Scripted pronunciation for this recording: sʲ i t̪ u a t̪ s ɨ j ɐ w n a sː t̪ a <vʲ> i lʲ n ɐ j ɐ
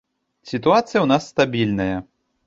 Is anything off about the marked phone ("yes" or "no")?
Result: yes